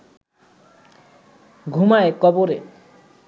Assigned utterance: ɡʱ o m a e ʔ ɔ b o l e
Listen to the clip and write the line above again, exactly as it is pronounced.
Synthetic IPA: ɡʱ u m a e k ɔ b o ɾ e